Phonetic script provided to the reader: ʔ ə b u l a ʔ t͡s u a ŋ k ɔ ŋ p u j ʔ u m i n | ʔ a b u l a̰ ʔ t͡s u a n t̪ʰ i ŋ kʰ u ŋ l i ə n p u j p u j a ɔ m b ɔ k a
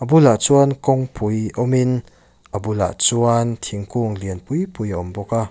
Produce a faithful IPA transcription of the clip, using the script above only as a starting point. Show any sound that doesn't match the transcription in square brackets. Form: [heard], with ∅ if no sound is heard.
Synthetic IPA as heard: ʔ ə b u l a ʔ t͡s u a [n] k ɔ ŋ p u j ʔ [ɔ] m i n | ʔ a b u l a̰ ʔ t͡s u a n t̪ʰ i ŋ [k] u ŋ l i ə n p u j p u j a ɔ m b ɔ k a